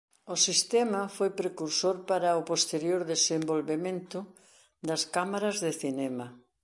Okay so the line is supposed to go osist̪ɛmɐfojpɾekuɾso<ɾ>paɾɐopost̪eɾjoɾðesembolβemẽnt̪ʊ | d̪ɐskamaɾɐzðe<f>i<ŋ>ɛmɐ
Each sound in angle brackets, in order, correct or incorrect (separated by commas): correct, incorrect, incorrect